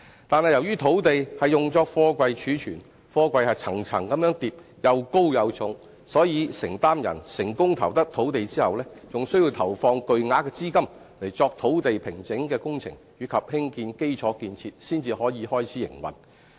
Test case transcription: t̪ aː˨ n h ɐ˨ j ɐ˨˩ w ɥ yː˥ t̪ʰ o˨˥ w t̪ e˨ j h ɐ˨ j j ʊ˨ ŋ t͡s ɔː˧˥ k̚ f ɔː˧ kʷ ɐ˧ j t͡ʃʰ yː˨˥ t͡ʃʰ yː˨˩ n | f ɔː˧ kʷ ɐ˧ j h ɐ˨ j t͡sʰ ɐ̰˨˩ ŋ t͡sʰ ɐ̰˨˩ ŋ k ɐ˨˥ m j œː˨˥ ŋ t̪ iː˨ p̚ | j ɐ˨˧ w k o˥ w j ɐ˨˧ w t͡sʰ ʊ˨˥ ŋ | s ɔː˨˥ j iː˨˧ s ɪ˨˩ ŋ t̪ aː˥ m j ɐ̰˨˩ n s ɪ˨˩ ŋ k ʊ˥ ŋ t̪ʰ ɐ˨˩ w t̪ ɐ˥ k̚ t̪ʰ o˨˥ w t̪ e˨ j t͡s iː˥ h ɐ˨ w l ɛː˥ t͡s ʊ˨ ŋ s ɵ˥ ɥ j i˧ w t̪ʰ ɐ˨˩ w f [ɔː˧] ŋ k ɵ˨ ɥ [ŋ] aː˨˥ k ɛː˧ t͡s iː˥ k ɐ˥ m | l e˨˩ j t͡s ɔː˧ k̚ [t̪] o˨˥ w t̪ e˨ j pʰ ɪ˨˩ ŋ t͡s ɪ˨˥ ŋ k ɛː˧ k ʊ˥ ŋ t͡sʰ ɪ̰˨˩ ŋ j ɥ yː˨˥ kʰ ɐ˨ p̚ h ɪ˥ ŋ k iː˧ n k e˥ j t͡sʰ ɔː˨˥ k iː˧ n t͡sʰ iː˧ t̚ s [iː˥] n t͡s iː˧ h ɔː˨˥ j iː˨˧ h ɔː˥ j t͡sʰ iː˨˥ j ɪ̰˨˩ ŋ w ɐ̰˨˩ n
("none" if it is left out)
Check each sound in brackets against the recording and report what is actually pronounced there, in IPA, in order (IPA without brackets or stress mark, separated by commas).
ɔː˧, ŋ, t̪ʰ, iː˥